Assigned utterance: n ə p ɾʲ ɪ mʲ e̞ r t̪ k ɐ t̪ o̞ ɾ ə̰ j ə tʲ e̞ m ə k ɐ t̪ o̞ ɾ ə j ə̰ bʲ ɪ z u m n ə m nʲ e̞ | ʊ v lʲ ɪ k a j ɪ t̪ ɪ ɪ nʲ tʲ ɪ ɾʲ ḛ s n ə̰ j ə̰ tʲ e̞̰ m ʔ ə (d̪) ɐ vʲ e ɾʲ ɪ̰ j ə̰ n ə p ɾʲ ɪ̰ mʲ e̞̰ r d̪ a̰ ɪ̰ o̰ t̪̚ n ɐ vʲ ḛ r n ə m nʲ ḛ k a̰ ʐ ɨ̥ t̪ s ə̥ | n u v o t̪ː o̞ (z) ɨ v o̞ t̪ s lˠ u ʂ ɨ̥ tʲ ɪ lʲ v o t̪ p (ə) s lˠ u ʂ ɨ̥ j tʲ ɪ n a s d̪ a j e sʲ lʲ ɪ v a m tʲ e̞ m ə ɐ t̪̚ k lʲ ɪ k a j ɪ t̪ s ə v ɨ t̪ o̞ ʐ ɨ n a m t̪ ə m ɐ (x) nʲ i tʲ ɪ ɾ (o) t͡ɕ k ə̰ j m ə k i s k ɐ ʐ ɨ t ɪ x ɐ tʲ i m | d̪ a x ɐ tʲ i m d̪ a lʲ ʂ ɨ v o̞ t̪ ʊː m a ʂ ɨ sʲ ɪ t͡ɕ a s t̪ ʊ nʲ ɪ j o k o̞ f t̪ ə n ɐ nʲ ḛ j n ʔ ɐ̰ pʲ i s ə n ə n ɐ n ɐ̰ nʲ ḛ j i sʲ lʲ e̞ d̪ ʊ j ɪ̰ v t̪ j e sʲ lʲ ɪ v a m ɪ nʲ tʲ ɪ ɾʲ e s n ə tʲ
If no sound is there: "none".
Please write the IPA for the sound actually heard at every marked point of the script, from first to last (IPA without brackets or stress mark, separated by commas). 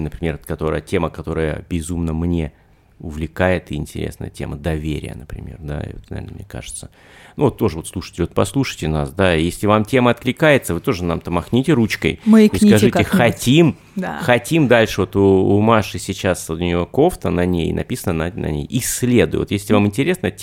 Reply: d̪, ʐ, ɐ, x, u